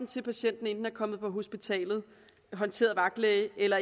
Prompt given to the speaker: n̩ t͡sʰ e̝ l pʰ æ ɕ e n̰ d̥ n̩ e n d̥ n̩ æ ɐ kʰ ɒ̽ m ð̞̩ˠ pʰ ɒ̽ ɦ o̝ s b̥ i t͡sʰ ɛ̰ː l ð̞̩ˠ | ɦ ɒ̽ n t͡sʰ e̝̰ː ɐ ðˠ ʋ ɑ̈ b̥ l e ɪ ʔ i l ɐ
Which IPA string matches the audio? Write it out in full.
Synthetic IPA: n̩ t͡sʰ e̝ l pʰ æ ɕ e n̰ d̥ n̩ e n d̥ n̩ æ ɐ kʰ ɒ̽ m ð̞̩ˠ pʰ ɒ̽ ɦ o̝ s b̥ i t͡sʰ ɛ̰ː l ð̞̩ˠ | ɦ ɒ̽ n t͡sʰ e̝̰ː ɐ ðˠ ʋ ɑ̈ ɡ̥ l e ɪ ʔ e l ɐ

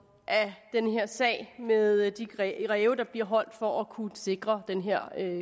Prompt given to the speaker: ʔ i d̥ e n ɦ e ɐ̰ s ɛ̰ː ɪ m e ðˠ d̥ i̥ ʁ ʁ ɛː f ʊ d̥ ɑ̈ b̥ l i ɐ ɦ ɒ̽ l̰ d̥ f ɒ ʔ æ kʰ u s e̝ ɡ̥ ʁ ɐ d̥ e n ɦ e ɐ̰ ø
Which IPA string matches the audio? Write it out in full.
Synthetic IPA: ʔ æ d̥ e n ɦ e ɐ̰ s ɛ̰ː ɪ m e ðˠ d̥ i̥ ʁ ʁ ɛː ʊ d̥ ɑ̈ b̥ l i ɐ ɦ ɒ̽ l̰ d̥ f ɒ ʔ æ kʰ u s e̝ ɡ̥ ʁ ɐ d̥ e n ɦ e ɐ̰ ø

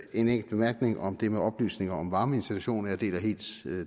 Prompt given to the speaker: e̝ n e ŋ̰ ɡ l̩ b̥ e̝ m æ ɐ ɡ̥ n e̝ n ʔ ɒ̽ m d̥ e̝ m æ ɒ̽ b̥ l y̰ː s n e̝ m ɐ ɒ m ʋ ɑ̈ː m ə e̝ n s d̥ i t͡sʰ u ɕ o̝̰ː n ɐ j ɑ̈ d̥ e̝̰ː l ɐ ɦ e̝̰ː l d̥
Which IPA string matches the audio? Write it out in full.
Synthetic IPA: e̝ n e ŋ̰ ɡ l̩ b̥ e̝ m æ ɐ ɡ̥ n e̝ ŋ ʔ ɒ̽ m d̥ e̝ m e ɒ̽ b̥ l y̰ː s n e̝ ŋ ɐ ɒ m ʋ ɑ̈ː m ə e̝ n s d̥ i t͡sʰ u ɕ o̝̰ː n ɐ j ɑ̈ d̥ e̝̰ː l ɐ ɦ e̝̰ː l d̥

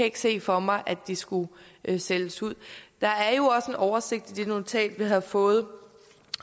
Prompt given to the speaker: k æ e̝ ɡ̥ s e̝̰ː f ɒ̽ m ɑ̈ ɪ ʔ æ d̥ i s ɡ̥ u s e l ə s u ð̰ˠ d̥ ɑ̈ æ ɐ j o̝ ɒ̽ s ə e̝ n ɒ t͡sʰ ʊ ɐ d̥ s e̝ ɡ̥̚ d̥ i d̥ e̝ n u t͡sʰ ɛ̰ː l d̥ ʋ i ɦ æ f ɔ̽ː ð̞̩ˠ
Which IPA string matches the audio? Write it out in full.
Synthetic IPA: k æ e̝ ɡ̥ s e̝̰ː f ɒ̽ m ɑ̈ ɪ ʔ æ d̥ i s ɡ̥ u s e l ə s u ð̰ˠ d̥ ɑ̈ æ ɐ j o̝ ɒ̽ s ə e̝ n ɒ ʊ ɐ s e̝ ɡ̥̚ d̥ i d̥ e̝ n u t͡sʰ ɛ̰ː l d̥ ʋ i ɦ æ f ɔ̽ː ð̞̩ˠ

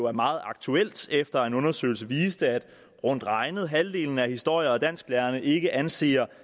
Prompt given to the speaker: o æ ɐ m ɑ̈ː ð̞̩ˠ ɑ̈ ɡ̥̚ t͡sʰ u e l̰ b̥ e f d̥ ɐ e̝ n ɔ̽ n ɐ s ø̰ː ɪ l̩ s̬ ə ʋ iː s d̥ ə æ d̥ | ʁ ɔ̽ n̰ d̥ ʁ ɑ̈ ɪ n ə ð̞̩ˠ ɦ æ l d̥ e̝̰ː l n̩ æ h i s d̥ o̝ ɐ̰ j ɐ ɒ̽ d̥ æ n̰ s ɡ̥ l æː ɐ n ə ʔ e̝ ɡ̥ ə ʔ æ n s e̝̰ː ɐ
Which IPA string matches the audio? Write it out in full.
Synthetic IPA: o æ ɐ m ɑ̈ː ð̞̩ˠ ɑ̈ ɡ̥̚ t͡sʰ u e l̰ d̥ e f d̥ ɐ e̝ n ɔ̽ n ɐ s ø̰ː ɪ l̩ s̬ ə ʋ iː s d̥ ə æ d̥ | ʁ ɔ̽ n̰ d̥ ʁ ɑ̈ ɪ n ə ð̞̩ˠ ɦ æ l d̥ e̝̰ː l n̩ æ h i s d̥ o̝ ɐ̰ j ɐ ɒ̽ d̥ æ n̰ s ɡ̥ l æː ɐ n ə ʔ e̝ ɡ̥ ə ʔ æ n s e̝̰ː ɐ

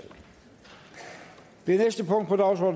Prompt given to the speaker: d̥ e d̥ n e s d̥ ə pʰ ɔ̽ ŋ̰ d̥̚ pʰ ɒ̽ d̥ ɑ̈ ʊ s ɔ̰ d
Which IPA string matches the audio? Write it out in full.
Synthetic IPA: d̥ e n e s d̥ ə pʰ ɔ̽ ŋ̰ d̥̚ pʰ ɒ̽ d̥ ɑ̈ ʊ s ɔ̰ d

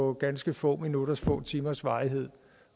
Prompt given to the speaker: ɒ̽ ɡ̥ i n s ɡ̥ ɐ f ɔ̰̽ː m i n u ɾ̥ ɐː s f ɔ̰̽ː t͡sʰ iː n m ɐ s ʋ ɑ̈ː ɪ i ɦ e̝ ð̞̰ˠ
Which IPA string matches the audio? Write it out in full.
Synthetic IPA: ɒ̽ ɡ̥ æ n s ɡ̥ ə f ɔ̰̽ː m i n u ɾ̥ ɐ s f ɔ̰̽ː t͡sʰ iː m ɐ s ʋ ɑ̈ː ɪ i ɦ e̝ ð̞̰ˠ

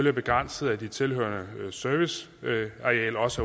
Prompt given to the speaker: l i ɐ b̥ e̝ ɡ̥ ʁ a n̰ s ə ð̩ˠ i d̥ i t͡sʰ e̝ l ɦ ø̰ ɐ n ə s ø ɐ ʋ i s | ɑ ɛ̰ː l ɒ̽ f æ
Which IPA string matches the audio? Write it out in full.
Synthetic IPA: l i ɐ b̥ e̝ ɡ̥ ʁ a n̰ s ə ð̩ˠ æ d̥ i t͡sʰ e̝ l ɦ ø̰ ɐ n ə s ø ɐ ʋ i s | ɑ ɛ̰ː l ɒ̽ s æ

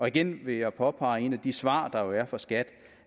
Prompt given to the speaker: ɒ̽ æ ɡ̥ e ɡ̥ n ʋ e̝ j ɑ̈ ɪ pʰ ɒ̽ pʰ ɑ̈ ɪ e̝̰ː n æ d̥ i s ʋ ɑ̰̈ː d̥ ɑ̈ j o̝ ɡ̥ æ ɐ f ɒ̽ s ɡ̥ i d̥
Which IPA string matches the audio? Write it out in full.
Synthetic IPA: ɒ̽ i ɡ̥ e n ʋ e̝ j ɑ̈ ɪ pʰ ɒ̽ pʰ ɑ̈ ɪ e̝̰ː n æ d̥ i s ʋ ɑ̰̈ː d̥ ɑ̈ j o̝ æ ɐ f ɒ̽ s ɡ̥ æ d̥

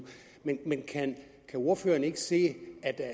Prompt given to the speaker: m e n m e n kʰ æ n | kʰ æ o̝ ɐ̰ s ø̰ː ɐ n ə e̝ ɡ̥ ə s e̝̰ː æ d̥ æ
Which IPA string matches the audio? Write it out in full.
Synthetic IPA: m e n m e n kʰ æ n | kʰ æ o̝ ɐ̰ f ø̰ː ɐ n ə e̝ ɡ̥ ə s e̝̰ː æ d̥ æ

